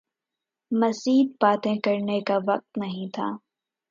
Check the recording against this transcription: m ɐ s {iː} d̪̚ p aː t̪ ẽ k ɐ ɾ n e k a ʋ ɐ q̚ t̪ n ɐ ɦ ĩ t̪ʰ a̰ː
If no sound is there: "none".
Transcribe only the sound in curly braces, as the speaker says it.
iː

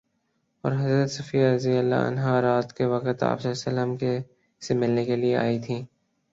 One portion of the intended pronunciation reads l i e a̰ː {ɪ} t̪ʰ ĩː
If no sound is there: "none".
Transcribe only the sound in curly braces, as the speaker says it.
i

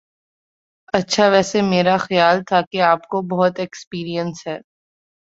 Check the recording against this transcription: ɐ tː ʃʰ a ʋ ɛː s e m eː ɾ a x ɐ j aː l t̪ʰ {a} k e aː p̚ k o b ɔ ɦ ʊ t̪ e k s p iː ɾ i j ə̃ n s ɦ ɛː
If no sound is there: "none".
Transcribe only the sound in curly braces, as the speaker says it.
a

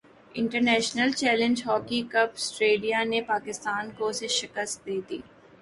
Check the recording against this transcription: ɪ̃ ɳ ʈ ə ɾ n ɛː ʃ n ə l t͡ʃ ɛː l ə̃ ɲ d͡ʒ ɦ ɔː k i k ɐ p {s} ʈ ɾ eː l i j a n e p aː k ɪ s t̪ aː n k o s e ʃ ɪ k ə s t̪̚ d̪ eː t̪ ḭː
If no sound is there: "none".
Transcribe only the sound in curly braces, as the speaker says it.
s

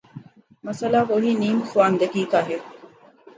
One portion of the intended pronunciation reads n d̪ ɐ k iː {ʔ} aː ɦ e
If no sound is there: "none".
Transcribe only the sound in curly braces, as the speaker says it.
k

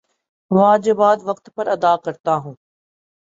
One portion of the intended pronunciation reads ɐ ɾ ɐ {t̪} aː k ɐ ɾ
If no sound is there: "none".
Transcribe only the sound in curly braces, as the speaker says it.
d̪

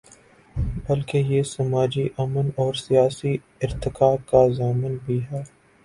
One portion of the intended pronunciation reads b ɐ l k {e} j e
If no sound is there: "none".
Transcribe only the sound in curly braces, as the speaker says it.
e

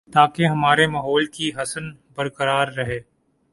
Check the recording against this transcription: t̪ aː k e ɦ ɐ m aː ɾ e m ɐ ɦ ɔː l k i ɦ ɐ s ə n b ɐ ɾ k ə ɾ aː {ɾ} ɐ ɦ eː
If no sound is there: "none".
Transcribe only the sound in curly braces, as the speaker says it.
ɾː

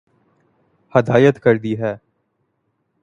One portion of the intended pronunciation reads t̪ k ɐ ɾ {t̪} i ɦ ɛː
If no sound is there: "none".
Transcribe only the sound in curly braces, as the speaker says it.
d̪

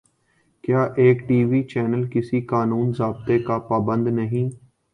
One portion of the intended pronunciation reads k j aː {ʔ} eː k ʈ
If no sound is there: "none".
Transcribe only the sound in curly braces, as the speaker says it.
ʔ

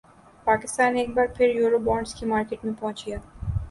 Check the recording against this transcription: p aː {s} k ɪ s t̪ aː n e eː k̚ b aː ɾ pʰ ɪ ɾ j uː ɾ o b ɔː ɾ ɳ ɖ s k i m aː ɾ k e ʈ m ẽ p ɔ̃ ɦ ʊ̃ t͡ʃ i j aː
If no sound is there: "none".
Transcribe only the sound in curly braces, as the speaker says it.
none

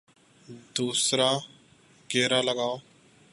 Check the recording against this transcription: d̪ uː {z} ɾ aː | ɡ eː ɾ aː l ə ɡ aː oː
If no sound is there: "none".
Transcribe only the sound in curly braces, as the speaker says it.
s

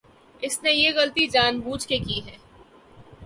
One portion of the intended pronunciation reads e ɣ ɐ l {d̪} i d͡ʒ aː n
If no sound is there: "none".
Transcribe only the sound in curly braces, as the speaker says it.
t̪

